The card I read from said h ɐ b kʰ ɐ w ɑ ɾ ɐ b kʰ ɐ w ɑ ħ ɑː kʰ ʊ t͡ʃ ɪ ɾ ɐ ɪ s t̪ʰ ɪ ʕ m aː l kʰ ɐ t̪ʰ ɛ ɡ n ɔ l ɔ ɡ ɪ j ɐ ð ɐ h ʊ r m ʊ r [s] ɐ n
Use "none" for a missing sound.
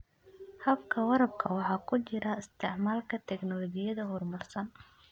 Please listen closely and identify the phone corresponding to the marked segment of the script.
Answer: s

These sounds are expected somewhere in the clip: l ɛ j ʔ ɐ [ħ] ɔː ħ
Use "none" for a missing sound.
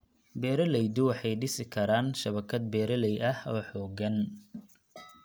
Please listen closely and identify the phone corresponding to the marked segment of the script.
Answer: h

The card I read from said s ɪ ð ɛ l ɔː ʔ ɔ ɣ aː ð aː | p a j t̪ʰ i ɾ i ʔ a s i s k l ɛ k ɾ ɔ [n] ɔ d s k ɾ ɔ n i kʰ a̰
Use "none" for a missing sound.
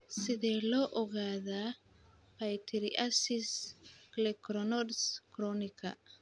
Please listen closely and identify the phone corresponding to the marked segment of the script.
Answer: n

